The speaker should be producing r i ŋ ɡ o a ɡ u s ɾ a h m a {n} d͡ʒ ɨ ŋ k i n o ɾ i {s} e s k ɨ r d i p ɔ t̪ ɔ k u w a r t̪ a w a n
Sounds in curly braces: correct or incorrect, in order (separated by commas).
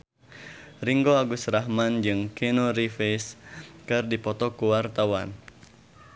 correct, incorrect